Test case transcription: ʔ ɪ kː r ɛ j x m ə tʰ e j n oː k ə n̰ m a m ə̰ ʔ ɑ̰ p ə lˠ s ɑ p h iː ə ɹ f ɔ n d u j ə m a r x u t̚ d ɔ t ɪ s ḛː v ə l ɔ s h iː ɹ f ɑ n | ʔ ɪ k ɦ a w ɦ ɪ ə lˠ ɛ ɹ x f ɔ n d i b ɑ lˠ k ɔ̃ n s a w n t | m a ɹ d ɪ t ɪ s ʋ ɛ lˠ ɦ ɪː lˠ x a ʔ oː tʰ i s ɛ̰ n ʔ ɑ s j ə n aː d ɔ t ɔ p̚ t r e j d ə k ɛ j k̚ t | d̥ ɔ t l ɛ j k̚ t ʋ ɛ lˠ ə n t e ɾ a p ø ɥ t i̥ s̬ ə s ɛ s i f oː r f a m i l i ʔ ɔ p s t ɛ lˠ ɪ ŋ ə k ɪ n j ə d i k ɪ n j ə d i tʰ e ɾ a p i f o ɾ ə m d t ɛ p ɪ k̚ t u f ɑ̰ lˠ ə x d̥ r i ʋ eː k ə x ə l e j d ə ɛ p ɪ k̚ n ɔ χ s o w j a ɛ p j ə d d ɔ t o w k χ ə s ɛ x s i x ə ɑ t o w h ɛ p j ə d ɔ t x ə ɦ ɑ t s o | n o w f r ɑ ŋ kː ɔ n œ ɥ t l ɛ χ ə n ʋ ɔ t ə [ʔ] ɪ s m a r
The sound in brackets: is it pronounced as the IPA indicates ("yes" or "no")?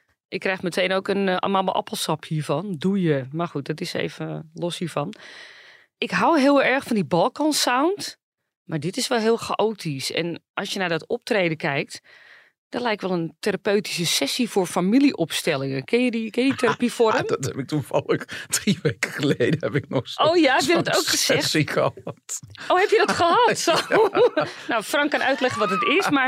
no